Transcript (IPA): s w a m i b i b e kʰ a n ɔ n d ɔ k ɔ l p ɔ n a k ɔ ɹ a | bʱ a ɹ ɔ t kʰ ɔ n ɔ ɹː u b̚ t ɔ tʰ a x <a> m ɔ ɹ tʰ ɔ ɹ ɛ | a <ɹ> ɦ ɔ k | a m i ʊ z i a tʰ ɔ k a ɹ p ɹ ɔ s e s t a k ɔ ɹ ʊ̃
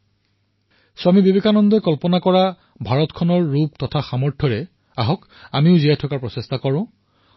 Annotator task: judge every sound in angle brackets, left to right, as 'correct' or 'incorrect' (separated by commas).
correct, incorrect